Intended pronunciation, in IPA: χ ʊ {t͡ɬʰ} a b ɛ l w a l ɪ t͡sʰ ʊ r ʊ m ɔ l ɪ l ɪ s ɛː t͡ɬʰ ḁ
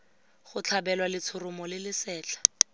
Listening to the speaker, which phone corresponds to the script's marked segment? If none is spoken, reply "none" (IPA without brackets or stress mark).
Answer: t͡ɬʰ